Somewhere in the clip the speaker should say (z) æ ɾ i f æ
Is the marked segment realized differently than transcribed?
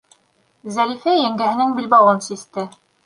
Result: no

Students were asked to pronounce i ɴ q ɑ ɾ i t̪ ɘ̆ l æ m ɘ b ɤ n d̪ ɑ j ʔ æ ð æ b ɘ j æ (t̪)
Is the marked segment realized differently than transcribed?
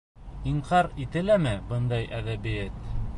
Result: no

